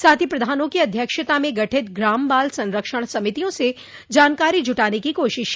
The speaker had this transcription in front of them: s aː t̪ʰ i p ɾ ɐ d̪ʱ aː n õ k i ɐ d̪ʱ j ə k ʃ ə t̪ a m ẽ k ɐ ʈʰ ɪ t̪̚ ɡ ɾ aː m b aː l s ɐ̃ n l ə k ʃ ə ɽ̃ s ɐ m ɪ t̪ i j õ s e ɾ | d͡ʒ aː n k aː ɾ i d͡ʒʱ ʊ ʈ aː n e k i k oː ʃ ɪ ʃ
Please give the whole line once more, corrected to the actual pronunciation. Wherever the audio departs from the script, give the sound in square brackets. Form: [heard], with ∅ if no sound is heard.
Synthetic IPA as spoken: s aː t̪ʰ i p ɾ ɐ d̪ʱ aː n õ k i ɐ d̪ʱ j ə k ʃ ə t̪ a m ẽ [ɡ] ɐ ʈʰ ɪ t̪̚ ɡ ɾ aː m b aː l s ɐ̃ n [ɾ] ə k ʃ ə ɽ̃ s ɐ m ɪ t̪ i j õ s e [∅] | d͡ʒ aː n k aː ɾ i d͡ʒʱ ʊ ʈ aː n e k i k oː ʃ ɪ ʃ